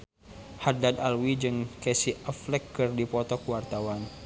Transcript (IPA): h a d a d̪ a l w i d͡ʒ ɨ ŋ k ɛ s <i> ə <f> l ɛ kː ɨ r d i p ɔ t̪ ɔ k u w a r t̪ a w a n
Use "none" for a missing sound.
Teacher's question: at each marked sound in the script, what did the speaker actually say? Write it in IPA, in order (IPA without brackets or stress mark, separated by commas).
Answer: i, f